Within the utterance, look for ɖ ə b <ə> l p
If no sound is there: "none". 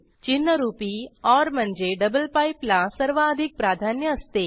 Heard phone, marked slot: ə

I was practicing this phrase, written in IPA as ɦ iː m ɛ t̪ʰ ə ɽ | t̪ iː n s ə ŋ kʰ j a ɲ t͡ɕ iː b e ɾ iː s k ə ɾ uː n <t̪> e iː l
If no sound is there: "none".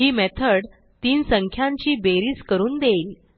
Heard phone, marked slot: d̪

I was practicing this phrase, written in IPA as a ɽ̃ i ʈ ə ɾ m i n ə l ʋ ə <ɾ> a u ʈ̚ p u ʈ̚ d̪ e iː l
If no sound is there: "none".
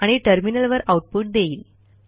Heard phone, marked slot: ɾ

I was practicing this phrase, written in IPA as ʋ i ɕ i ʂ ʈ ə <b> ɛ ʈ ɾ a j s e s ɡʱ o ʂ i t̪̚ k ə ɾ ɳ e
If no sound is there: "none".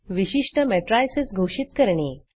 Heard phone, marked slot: m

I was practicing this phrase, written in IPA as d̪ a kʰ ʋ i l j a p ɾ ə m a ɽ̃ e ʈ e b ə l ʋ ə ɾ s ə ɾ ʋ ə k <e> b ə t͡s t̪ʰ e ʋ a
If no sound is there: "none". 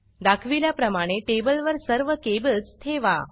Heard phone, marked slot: e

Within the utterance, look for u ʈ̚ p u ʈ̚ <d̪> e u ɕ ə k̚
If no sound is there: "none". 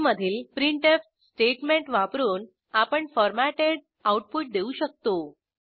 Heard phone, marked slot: d̪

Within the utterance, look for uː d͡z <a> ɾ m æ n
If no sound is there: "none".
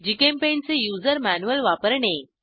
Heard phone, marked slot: ə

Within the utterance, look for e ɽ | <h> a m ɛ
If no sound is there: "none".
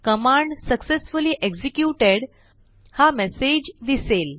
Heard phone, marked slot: h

